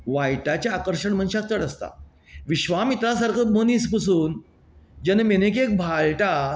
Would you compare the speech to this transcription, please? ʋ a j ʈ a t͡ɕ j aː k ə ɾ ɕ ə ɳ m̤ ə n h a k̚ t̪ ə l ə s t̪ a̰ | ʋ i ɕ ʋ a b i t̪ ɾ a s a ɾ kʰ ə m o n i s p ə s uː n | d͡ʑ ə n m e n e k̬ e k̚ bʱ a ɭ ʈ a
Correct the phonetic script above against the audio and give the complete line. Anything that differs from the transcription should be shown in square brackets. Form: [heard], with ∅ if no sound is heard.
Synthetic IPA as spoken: ʋ a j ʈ a t͡ɕ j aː k ə ɾ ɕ ə ɳ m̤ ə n [ɕ] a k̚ t̪ ə [ɽ] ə s t̪ a̰ | ʋ i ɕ ʋ a [m] i t̪ ɾ a s a ɾ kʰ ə m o n i s p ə s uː n | d͡ʑ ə n m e n e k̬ e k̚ bʱ a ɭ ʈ a